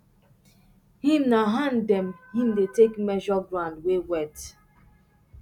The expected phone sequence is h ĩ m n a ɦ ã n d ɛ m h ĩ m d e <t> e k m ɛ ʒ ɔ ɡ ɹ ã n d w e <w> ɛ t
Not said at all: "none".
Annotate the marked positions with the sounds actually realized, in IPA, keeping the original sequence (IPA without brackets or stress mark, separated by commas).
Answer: t, w